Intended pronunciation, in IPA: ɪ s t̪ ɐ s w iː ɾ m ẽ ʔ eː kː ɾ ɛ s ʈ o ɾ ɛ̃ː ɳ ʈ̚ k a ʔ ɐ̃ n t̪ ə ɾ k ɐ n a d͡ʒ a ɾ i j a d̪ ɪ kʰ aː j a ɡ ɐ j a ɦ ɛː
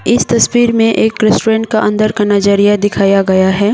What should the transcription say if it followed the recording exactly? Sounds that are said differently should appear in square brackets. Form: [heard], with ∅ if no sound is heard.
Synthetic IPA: ɪ s t̪ ɐ s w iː ɾ m ẽ ʔ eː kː ɾ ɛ s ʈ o ɾ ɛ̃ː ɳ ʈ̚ k a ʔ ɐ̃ n [d̪] ə ɾ k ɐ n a d͡ʒ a ɾ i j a d̪ ɪ kʰ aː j a ɡ ɐ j a ɦ ɛː

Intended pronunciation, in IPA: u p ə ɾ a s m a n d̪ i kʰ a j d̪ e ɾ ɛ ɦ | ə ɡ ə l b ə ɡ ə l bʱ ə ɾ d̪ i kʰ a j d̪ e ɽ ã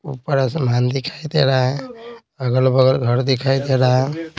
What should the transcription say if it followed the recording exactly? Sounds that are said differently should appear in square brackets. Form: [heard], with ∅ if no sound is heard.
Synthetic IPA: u p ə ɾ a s m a n d̪ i kʰ a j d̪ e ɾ [a] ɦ | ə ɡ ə l b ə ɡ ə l [ɡʱ] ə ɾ d̪ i kʰ a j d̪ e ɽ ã

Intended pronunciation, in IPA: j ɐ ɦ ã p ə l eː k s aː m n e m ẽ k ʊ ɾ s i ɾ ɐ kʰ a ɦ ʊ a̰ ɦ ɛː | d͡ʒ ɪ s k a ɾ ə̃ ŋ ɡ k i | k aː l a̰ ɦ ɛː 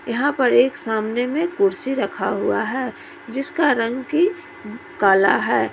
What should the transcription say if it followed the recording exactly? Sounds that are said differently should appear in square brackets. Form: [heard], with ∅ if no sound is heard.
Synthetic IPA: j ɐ ɦ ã p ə [ɾ] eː k s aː m n e m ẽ k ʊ ɾ s i ɾ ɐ kʰ a ɦ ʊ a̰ ɦ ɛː | d͡ʒ ɪ s k a ɾ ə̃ ŋ ɡ k i | k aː l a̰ ɦ ɛː

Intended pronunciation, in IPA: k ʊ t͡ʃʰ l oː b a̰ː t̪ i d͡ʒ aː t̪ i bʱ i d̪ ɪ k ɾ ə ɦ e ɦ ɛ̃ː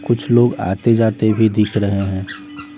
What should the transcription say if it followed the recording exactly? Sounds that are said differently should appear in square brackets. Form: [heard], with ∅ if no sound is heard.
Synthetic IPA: k ʊ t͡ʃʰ l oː [ɡ] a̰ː t̪ [e] d͡ʒ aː t̪ [e] bʱ i d̪ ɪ [kʰ] ɾ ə ɦ e ɦ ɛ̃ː

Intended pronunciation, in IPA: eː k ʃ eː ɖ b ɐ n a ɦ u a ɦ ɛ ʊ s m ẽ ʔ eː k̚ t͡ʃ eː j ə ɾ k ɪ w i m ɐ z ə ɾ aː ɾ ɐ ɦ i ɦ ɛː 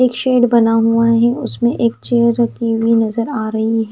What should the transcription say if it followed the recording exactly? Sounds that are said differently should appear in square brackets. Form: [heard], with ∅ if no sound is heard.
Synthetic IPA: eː k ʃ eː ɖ b ɐ n a ɦ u a ɦ ɛ ʊ s m ẽ ʔ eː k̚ t͡ʃ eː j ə ɾ k [i] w i [n] ɐ z ə ɾ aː ɾ ɐ ɦ i ɦ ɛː

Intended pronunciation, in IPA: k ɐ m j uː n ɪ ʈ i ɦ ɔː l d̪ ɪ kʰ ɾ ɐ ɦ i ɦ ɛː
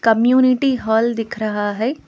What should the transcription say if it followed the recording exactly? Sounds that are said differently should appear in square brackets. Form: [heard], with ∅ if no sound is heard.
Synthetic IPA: k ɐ m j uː n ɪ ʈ i ɦ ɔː l d̪ ɪ kʰ ɾ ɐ ɦ [a] ɦ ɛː

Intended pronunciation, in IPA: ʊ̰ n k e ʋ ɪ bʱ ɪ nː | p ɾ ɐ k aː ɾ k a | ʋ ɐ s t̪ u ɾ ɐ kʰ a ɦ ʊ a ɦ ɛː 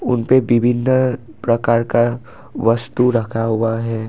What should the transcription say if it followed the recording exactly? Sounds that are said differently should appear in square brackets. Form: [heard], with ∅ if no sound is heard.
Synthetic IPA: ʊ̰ n [p] e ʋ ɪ bʱ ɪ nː | p ɾ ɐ k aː ɾ k a | ʋ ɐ s t̪ u ɾ ɐ kʰ a ɦ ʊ a ɦ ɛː

